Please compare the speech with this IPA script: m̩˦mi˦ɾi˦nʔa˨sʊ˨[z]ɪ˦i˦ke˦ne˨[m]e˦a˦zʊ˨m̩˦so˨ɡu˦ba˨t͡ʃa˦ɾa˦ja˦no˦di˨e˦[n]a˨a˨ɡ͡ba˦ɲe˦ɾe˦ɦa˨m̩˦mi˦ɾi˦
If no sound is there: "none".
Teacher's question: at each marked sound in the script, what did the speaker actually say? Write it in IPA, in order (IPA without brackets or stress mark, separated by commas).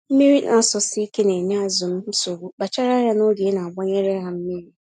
s, n, n